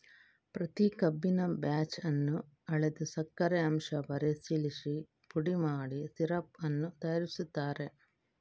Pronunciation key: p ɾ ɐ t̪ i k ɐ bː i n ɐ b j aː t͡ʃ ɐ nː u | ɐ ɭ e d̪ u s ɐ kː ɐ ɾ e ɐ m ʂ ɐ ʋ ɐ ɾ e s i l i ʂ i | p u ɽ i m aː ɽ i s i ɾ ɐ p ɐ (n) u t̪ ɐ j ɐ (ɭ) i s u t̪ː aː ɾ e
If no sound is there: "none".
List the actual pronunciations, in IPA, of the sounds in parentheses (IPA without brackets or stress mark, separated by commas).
nː, ɾ